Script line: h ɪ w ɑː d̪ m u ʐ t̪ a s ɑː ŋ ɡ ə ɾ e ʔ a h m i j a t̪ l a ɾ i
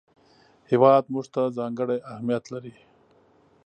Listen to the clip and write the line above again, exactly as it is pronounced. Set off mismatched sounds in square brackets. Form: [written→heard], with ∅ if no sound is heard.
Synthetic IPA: h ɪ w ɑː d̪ m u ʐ t̪ a [s→z] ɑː ŋ ɡ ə [ɾ→ɽ] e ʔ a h m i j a t̪ l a ɾ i